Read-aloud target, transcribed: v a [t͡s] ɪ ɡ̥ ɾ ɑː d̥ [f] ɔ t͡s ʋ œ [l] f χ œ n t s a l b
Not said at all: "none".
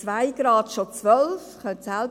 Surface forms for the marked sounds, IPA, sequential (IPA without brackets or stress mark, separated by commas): none, ʃ, l